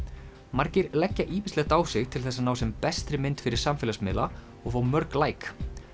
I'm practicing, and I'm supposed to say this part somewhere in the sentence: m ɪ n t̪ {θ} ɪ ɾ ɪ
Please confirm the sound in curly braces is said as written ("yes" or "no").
no